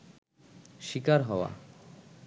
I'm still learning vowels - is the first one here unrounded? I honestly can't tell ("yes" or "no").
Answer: yes